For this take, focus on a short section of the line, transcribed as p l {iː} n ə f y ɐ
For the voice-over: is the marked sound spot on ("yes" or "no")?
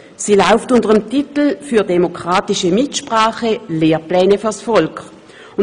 no